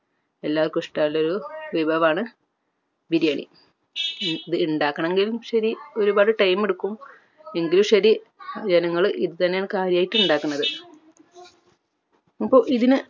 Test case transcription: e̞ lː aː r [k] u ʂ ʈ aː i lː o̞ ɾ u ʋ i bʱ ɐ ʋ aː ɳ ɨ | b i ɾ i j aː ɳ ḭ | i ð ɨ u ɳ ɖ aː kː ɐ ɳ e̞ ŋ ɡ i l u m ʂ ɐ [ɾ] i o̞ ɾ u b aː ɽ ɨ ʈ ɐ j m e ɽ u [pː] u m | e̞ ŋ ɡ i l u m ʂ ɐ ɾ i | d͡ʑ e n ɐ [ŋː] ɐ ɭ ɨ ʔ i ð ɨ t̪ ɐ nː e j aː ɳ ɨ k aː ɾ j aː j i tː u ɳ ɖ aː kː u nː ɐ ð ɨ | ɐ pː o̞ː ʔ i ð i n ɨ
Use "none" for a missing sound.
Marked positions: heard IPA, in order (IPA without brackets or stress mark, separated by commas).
k, ɾ, kː, ŋː